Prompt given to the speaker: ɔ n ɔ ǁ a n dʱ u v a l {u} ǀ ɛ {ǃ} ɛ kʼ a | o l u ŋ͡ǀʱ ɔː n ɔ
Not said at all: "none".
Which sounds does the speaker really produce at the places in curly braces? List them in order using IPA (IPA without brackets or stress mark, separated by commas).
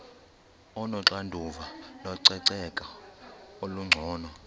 ɔ, ǀ